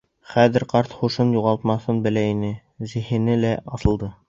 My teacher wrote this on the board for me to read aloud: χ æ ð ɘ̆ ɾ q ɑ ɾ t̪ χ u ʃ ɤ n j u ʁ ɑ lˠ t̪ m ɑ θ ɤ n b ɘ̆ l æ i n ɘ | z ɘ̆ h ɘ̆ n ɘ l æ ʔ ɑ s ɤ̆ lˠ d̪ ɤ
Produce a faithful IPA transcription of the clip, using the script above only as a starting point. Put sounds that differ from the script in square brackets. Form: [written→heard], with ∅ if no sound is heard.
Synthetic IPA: χ æ ð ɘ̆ ɾ q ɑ ɾ t̪ χ u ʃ ɤ n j u ʁ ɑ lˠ t̪ m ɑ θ ɤ n b ɘ̆ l æ i n ɘ | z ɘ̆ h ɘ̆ n ɘ l æ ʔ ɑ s ɤ̆ lˠ d̪ ɤ